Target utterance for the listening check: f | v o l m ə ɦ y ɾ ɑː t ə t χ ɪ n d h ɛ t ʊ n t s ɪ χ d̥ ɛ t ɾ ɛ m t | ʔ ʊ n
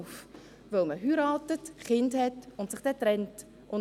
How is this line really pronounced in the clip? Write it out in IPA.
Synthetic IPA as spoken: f | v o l m ə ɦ y ɾ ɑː t ə t χ ɪ n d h ɛ t ʊ n t s ɪ χ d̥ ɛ t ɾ ɛ n t | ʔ ʊ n